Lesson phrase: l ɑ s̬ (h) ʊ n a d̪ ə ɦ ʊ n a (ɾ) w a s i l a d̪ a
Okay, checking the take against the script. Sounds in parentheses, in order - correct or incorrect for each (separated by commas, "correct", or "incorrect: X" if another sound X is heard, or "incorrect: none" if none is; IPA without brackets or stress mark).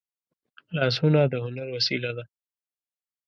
correct, correct